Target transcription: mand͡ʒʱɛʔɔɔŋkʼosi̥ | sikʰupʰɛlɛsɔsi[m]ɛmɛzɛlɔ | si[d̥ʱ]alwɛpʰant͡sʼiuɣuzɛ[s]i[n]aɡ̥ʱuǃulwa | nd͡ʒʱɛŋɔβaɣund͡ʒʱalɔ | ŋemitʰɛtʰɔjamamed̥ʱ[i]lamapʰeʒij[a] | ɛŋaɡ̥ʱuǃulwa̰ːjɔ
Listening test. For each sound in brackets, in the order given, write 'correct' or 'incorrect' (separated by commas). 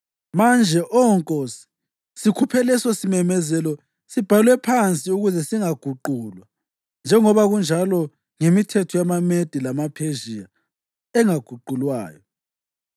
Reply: correct, incorrect, correct, incorrect, correct, correct